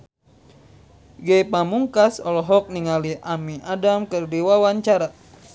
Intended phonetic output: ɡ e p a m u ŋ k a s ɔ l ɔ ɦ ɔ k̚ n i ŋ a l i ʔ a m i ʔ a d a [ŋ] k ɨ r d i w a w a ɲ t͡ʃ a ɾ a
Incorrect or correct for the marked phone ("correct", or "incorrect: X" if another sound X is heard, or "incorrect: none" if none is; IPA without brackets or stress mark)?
incorrect: m